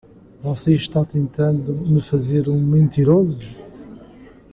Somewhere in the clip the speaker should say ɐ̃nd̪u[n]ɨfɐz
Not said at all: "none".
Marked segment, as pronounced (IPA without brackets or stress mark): m